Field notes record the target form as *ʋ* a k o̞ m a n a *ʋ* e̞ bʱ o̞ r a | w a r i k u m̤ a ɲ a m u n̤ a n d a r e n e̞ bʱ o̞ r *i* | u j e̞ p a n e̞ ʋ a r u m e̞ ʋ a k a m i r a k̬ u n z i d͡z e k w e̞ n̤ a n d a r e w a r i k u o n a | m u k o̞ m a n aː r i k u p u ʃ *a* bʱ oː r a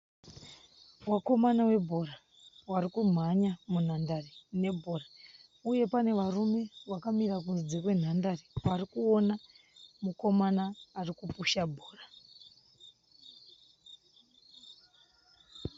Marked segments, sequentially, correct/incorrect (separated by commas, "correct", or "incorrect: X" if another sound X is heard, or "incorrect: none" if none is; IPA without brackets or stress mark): incorrect: w, incorrect: w, incorrect: a, correct